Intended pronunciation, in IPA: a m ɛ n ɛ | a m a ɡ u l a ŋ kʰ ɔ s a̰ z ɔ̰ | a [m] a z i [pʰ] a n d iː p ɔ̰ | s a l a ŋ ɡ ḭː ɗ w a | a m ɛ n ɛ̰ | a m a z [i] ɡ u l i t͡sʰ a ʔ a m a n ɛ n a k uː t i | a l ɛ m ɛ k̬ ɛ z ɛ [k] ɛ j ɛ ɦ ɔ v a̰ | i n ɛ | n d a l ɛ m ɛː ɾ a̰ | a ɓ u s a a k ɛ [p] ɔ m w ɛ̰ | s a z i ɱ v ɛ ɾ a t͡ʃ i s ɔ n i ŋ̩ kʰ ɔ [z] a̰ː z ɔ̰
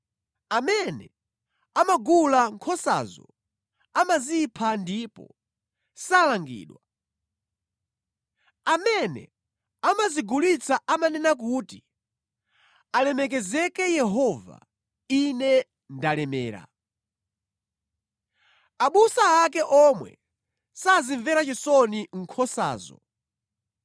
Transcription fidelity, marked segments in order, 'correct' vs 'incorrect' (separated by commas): correct, correct, correct, correct, incorrect, incorrect